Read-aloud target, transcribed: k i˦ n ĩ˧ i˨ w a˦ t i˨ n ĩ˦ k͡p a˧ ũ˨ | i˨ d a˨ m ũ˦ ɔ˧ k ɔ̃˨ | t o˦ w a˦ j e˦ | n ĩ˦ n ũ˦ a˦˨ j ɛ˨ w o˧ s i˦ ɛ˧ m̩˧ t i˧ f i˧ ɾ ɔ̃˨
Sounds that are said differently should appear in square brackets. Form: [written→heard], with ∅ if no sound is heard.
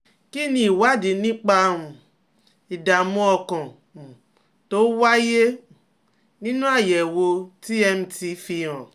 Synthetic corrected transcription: k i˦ n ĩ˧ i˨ w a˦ [t→d] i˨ n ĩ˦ k͡p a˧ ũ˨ | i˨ d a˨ m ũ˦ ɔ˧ k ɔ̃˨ | t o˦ w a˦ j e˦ | n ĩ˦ n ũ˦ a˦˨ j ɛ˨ w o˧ [s→t] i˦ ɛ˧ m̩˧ t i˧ f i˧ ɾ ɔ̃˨